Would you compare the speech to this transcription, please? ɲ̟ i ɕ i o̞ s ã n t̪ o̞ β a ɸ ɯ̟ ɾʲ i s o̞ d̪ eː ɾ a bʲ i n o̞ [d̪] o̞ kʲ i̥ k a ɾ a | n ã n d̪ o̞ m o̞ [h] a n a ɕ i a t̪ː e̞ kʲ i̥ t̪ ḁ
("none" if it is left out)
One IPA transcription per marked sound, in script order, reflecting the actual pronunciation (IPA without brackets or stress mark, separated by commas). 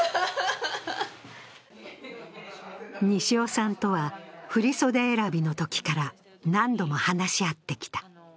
t̪, h